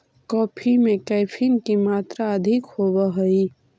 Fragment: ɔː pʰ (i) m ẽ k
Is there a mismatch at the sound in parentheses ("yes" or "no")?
no